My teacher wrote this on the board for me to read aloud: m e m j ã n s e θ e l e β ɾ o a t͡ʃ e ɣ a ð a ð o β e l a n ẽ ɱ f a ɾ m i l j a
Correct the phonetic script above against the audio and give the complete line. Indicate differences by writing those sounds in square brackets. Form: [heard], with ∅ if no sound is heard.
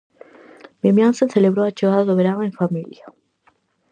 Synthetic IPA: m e m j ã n s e θ e l e β ɾ o a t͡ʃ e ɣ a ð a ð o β e [ɾ] a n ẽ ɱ f a [∅] m i l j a

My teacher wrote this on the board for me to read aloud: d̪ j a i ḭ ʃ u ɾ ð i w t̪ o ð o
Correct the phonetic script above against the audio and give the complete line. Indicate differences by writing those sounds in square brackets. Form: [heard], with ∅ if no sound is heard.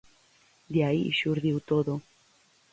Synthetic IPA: d̪ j a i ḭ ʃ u ɾ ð i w t̪ o ð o

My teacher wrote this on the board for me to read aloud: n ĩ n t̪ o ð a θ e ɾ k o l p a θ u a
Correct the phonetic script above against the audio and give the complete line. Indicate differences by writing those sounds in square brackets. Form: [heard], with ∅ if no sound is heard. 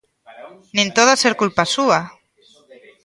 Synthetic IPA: n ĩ n t̪ o ð a [s] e ɾ k [u] l p a [s] u a

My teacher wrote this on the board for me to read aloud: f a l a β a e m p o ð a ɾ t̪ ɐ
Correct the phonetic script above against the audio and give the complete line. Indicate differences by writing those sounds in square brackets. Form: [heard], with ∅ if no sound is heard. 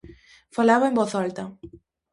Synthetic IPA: f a l a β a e m [b] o [θ] a [l] t̪ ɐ

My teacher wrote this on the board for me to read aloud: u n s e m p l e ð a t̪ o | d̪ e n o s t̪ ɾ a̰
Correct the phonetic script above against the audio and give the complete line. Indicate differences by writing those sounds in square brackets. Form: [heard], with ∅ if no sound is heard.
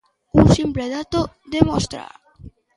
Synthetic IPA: u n s [i] m p l e ð a t̪ o | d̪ e [m] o s t̪ ɾ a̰

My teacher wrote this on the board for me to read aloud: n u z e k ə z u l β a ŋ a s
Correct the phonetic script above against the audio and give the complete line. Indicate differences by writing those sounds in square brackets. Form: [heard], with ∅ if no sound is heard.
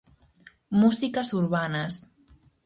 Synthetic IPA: [m] u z [i] k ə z u [ɾ] β a [n] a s

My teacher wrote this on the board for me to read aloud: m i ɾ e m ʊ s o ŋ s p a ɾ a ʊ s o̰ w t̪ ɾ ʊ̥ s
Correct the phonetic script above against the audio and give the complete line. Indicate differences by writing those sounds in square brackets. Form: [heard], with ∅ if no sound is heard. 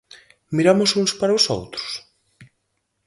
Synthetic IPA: m i ɾ [a] m ʊ s [u] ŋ s p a ɾ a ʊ s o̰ w t̪ ɾ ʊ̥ s

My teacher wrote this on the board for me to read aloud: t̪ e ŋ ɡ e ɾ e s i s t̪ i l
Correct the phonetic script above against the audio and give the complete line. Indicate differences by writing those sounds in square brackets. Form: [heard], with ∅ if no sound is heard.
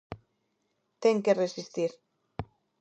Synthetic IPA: t̪ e ŋ [k] e [r] e s i s t̪ i [ɾ]

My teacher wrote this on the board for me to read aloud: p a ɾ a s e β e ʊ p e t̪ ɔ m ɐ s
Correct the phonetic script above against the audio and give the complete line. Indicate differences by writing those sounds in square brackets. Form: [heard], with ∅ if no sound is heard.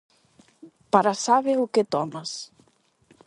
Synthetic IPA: p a ɾ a s [a] β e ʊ [k] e t̪ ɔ m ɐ s

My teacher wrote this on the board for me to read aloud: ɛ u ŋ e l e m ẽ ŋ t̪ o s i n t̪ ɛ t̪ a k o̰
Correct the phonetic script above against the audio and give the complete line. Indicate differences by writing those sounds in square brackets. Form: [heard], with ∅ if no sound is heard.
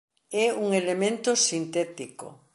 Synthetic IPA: ɛ u ŋ e l e m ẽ [n] t̪ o s i n t̪ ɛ t̪ [i] k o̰

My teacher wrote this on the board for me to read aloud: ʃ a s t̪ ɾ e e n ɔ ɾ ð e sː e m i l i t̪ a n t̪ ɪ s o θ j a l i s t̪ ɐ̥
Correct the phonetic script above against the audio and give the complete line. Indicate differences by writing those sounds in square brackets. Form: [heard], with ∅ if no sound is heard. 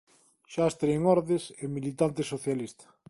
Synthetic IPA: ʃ a s t̪ ɾ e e [ŋ] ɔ ɾ ð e [s] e m i l i t̪ a n t̪ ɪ s o θ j a l i s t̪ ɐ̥

